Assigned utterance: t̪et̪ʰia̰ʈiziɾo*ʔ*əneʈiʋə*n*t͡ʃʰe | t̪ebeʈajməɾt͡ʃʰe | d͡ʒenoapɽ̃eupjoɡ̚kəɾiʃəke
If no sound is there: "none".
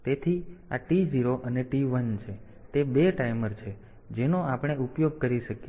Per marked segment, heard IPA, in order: ʔ, n

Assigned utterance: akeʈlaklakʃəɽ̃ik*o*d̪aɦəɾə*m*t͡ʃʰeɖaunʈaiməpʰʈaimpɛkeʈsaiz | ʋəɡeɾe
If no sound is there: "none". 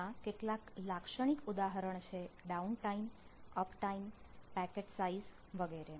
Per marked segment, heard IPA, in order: u, ɳ

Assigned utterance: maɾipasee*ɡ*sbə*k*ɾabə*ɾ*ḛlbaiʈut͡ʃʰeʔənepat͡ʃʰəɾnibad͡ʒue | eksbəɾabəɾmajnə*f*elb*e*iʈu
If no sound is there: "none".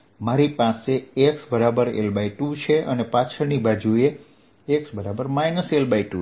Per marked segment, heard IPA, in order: k, none, ɾ, s, a

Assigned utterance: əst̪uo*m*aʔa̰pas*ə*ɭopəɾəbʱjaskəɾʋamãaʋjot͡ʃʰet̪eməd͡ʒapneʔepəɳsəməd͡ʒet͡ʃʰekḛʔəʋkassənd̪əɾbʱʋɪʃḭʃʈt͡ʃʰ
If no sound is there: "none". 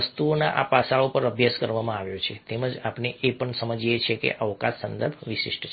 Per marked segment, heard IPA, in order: n, a

